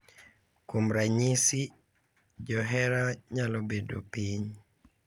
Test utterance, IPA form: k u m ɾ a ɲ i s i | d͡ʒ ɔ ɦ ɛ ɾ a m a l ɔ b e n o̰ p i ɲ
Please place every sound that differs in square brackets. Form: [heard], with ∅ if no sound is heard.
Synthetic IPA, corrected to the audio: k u m ɾ a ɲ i s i | d͡ʒ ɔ ɦ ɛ ɾ a [ɲ] a l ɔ b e [d] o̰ p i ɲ